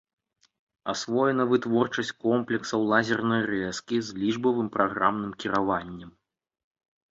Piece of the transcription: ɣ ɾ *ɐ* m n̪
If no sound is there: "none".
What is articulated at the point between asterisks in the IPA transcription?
a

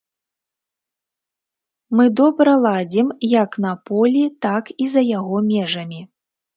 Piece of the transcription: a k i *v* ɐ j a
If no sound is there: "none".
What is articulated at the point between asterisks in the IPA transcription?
z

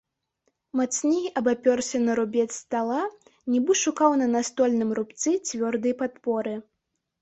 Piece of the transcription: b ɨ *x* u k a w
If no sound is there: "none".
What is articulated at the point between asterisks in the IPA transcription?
ʂ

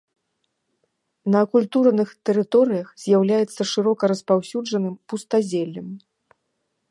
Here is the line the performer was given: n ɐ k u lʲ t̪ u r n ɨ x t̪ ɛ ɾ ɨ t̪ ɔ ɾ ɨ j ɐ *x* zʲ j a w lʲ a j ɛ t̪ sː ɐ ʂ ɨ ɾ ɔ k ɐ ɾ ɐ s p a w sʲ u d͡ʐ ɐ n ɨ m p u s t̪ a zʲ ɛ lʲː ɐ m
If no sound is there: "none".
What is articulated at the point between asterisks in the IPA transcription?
x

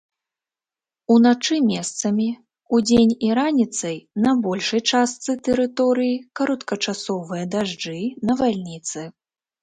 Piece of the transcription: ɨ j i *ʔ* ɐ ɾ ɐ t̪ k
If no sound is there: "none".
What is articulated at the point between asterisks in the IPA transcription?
k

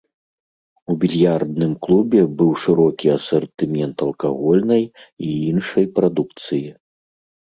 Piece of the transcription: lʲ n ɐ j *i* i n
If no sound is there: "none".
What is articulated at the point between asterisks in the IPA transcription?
i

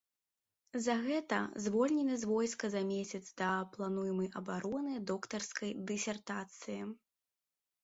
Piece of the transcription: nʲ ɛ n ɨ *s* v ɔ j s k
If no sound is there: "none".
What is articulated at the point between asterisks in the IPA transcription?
z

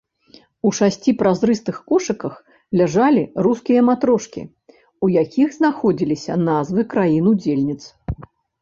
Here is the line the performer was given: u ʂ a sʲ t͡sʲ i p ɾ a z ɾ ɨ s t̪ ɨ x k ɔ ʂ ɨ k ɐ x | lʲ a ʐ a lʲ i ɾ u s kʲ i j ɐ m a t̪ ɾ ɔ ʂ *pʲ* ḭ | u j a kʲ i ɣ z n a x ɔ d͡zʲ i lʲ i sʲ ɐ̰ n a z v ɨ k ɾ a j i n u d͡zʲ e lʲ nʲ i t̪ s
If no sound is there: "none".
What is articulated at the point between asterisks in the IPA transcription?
kʲ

